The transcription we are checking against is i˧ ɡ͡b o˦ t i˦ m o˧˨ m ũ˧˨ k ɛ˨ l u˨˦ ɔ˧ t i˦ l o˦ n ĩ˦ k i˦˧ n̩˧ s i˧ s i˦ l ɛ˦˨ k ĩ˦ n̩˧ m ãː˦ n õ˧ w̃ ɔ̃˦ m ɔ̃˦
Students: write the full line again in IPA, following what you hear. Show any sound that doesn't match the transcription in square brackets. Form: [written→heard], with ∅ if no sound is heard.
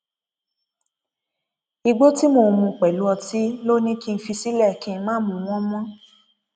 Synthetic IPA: i˧ ɡ͡b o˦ t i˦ m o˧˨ m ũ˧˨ [k→k͡p] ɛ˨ l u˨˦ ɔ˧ t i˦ l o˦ n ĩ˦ k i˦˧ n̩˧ [s→f] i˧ s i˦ l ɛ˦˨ k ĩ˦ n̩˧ m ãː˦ [n→m] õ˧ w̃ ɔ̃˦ m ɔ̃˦